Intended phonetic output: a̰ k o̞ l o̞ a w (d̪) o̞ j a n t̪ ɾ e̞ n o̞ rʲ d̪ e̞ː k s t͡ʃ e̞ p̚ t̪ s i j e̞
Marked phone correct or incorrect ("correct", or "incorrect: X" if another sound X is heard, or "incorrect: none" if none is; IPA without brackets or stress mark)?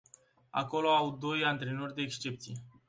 correct